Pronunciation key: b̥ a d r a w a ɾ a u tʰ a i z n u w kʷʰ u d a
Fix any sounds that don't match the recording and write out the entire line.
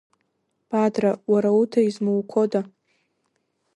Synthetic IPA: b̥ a d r a w a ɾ a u tʰ a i z m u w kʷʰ o d a

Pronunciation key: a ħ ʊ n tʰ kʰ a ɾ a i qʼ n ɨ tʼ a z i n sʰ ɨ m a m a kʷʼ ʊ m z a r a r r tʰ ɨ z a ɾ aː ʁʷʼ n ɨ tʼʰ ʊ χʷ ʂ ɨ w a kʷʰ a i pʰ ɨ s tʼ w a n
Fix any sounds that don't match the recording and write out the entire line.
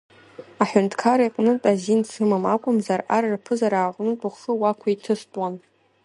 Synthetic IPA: a ħ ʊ n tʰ kʰ a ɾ a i qʼ n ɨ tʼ a z i n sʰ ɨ m a m a kʷʼ ʊ m z a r a r r pʰ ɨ z a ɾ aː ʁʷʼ n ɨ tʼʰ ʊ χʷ ʂ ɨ w a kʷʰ a i tʰ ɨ s tʼ w a n

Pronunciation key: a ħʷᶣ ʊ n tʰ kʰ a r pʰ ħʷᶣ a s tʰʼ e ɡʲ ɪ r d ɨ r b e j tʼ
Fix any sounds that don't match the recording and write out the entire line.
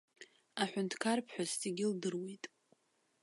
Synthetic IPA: a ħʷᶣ ʊ n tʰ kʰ a r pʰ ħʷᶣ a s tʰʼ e ɡʲ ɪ l d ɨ r w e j tʼ

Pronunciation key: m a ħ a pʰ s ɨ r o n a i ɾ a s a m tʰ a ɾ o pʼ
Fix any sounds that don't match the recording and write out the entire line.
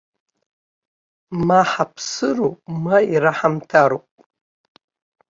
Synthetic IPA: m a ħ a pʰ s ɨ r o m a i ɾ a ħ a m tʰ a ɾ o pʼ

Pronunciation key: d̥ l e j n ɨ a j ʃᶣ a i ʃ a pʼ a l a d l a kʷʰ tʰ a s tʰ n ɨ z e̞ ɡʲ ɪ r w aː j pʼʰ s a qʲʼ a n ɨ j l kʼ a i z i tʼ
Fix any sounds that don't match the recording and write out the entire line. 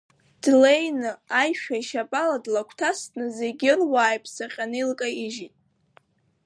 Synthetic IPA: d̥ l e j n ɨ a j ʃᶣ a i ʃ a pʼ a l a d l a kʷʰ tʰ a s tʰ n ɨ z e̞ ɡʲ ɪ r w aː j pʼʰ s a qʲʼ a n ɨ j l kʼ a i ʒ i tʼ

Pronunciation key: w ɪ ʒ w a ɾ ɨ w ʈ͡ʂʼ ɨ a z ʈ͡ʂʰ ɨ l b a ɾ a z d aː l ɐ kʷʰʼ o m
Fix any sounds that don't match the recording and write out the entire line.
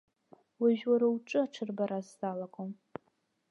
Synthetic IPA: w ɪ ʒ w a ɾ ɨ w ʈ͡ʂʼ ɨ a ʈ͡ʂʰ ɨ r b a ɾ a z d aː l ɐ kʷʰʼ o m

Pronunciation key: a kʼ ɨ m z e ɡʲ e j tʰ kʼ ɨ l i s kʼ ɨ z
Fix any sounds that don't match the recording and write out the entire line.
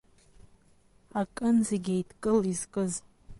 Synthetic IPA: a kʼ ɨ n z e ɡʲ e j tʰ kʼ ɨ l i z kʼ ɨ z

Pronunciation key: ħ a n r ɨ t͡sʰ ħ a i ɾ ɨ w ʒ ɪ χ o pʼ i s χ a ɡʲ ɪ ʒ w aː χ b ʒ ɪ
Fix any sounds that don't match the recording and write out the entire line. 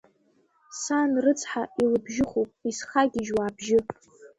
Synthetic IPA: s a n r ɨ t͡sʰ ħ a i l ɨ b ʒ ɪ χ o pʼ i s χ a ɡʲ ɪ ʒ w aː b ʒ ɪ

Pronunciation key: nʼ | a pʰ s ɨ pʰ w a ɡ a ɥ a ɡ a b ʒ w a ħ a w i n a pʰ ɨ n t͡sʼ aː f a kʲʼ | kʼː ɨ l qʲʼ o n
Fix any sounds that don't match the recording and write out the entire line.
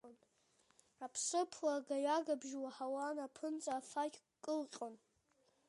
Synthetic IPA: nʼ | a pʰ s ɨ pʰ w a ɡ a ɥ a ɡ a b ʒ w a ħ a w a n a pʰ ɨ n t͡sʼ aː f a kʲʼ | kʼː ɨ l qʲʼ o n

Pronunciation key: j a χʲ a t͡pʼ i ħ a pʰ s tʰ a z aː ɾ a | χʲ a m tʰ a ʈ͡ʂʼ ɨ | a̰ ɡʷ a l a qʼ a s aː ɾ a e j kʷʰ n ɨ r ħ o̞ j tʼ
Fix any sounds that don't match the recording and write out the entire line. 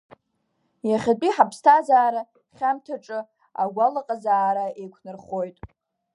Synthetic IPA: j a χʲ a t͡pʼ i ħ a pʰ s tʰ a z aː ɾ a | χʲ a m tʰ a ʈ͡ʂʼ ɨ | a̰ ɡʷ a l a qʼ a z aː ɾ a e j kʷʰ n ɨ r χ o̞ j tʼ

